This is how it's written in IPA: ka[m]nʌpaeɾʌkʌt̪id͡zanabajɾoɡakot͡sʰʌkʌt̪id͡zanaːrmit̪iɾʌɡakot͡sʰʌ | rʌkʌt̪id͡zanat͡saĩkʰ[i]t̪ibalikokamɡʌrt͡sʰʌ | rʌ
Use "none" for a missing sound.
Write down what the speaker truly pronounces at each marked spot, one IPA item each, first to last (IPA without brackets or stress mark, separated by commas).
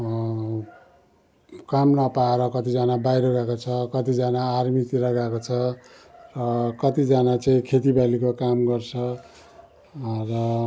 m, e